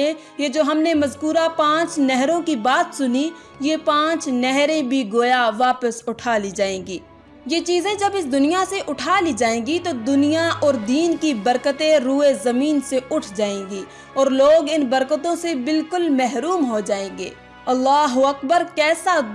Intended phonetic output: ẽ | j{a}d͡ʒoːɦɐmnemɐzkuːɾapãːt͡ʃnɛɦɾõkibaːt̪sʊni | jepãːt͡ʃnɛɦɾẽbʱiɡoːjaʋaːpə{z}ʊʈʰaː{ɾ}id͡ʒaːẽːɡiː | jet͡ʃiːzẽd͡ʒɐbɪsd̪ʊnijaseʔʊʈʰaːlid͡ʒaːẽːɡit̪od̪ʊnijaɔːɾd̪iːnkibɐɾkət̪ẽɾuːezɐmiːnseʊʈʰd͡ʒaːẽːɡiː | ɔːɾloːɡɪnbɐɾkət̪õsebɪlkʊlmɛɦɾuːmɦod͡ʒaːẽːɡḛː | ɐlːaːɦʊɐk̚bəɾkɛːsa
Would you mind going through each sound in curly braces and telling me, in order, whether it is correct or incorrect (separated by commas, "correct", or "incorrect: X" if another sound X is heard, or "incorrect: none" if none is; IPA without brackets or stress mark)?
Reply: incorrect: e, incorrect: s, incorrect: l